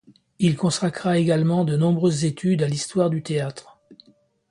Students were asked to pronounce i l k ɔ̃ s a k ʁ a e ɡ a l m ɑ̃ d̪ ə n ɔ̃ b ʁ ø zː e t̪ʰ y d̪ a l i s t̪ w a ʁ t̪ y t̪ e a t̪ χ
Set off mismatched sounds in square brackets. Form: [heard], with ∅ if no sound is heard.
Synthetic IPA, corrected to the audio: i l k ɔ̃ s a k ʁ a e ɡ a l m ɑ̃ d̪ ə n ɔ̃ b ʁ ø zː e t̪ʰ y d̪ a l i s t̪ w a ʁ [d̪] y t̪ e a t̪ χ